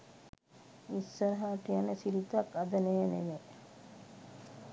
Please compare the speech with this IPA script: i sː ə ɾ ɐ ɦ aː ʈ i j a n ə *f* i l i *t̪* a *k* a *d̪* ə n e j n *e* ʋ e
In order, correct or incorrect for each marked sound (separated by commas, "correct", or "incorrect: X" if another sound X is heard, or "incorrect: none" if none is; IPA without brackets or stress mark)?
incorrect: s, correct, correct, correct, correct